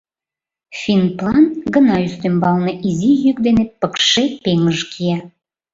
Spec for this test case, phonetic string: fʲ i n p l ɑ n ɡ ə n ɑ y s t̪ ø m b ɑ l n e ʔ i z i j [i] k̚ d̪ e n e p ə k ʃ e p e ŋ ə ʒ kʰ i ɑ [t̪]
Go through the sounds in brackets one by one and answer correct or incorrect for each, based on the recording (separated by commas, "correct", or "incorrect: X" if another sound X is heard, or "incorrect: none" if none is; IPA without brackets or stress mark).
incorrect: y, incorrect: none